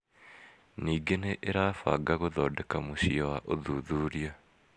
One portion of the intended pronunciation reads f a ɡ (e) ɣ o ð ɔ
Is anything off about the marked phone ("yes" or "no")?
yes